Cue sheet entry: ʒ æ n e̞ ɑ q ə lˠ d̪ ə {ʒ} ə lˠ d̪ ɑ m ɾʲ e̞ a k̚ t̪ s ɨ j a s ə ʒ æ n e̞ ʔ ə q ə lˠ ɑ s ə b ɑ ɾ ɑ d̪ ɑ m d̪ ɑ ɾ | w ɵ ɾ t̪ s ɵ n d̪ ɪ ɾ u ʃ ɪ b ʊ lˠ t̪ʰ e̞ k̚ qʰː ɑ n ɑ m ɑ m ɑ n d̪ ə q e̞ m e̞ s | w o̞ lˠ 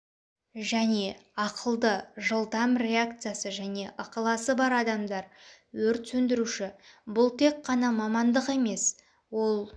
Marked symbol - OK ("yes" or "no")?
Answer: yes